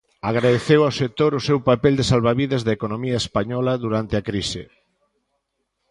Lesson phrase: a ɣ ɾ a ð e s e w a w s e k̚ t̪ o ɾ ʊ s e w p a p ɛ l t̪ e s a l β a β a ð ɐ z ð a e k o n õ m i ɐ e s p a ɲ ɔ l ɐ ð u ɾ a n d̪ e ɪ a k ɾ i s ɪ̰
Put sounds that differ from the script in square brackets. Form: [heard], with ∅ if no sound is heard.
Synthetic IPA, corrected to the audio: a ɣ ɾ a ð e [θ] e w a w s e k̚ t̪ o ɾ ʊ s e w p a p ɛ l [d̪] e s a l β a β [i] ð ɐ z ð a e k o n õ m i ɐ e s p a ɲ ɔ l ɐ ð u ɾ a n [t̪] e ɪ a k ɾ i s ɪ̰